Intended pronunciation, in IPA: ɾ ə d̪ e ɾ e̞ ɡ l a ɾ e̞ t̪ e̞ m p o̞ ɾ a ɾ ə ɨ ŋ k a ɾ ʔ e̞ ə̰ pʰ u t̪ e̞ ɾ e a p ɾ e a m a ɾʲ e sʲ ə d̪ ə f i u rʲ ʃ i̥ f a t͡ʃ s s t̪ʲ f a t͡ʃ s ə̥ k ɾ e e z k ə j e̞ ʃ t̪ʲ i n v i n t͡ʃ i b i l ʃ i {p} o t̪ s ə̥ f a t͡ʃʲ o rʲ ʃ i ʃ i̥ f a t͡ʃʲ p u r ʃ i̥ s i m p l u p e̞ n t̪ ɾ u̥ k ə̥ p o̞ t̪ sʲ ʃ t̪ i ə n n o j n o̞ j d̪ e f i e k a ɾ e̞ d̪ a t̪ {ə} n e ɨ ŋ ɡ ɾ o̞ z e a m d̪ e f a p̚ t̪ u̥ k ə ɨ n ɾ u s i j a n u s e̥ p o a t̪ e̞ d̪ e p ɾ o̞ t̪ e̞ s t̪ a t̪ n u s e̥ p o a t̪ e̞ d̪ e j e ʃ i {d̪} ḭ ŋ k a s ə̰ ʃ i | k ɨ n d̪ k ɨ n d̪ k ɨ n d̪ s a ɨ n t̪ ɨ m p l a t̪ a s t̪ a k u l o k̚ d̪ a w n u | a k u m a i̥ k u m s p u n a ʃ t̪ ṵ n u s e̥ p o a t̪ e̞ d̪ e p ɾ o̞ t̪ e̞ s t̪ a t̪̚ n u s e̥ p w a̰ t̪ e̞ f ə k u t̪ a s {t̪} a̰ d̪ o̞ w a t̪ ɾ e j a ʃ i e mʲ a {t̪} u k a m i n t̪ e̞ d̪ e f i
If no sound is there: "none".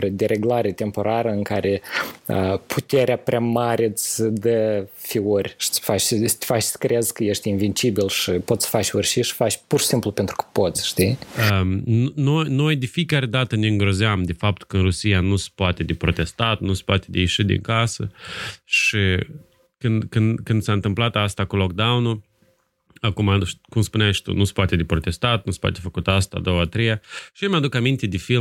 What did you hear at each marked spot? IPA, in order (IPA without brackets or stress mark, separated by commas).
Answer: p, ə, d̪, t̪, d̪